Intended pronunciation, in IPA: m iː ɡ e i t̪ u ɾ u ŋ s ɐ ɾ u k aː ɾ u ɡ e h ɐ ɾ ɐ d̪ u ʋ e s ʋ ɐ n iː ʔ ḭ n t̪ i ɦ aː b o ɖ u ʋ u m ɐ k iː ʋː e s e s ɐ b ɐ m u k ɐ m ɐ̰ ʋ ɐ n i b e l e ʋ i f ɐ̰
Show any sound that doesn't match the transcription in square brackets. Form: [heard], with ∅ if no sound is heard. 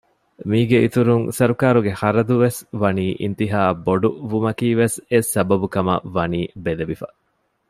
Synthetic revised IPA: m iː ɡ e i t̪ u ɾ u ŋ s ɐ ɾ u k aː ɾ u ɡ e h ɐ ɾ ɐ d̪ u ʋ e s ʋ ɐ n iː ʔ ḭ n t̪ i ɦ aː b o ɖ u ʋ u m ɐ k iː [ʋ] e s e s ɐ b ɐ [b] u k ɐ m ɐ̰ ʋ ɐ n [iː] b e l e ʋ i f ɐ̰